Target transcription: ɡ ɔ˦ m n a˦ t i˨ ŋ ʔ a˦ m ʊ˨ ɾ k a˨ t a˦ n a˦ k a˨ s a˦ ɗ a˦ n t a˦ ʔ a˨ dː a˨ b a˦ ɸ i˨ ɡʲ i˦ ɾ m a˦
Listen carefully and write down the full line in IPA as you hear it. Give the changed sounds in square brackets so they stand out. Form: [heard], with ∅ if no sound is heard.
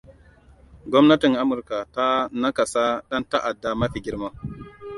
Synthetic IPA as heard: ɡ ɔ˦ m n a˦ t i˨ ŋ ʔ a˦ m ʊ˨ ɾ k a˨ t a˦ n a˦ k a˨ s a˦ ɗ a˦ n t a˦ ʔ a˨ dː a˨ [m] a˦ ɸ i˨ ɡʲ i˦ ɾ m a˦